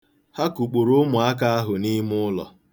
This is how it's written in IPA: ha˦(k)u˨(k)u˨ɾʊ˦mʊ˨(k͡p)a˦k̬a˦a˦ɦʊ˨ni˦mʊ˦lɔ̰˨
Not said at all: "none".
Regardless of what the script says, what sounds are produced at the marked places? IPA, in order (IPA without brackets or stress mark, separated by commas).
k, k͡p, none